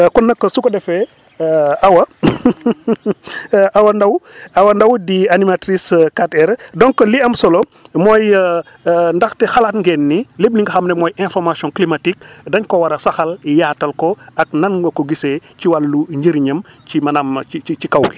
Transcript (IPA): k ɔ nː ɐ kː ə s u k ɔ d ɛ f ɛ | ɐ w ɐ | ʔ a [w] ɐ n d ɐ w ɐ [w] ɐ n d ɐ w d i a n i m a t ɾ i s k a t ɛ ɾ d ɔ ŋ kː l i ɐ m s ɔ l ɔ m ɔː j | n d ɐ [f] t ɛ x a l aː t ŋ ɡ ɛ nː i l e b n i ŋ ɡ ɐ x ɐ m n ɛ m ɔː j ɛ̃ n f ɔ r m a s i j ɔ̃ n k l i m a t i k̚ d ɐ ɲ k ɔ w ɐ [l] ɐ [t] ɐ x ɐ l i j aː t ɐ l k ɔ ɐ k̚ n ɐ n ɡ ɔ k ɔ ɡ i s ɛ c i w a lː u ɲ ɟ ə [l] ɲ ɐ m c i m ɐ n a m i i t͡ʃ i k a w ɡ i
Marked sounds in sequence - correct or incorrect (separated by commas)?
correct, correct, incorrect, incorrect, incorrect, incorrect